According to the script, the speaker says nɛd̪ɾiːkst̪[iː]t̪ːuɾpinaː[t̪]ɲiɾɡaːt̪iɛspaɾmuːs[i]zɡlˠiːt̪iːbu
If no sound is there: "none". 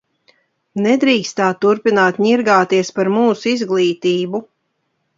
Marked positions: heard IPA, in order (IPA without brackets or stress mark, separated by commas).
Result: aː, t̪, i